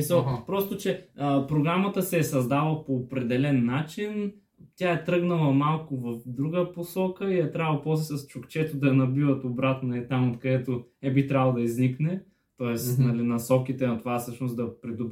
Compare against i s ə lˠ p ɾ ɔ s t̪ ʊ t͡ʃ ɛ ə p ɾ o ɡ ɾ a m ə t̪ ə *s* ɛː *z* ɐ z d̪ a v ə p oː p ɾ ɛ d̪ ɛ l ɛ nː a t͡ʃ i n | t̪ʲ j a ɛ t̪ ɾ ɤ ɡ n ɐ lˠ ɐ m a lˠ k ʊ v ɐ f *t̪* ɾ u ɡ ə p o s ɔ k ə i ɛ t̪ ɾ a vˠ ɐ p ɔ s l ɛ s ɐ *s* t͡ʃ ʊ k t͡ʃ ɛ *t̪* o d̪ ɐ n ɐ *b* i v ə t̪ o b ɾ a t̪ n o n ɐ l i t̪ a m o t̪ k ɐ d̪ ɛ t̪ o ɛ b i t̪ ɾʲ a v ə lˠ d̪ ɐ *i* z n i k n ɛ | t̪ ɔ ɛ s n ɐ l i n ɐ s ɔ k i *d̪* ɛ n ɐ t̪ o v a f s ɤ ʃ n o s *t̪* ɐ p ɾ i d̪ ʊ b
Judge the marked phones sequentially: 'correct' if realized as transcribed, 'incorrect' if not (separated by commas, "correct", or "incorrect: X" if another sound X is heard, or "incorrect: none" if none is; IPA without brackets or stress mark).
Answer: correct, incorrect: s, incorrect: d̪, correct, correct, correct, correct, incorrect: t̪, incorrect: d̪